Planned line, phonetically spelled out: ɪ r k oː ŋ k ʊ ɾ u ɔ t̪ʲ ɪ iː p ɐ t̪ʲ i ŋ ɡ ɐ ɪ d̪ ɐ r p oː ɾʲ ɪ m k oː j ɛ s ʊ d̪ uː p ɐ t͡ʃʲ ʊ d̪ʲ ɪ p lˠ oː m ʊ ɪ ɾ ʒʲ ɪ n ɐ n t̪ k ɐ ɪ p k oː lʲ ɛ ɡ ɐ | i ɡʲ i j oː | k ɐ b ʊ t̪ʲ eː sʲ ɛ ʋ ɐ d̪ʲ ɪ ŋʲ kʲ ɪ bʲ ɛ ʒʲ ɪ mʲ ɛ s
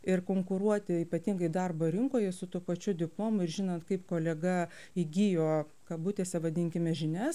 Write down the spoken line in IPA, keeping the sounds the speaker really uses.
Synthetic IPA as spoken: ɪ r k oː ŋ k ʊ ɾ u ɔ t̪ʲ ɪ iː p ɐ t̪ʲ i ŋ ɡ ɐ ɪ d̪ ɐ r b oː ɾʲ ɪ ŋ k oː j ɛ s ʊ t̪ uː p ɐ t͡ʃʲ ʊ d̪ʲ ɪ p lˠ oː m ʊ ɪ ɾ ʒʲ ɪ n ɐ n t̪ k ɐ ɪ p k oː lʲ ɛ ɡ ɐ | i ɡʲ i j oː | k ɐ b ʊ t̪ʲ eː sʲ ɛ ʋ ɐ d̪ʲ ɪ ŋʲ kʲ ɪ mʲ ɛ ʒʲ ɪ nʲ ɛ s